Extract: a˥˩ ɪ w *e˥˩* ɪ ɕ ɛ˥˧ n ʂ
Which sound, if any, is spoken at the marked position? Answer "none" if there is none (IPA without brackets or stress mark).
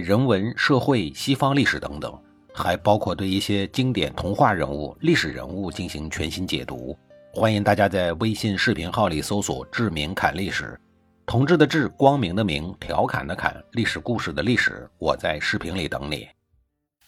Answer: e˥